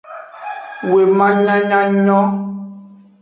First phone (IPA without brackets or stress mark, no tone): w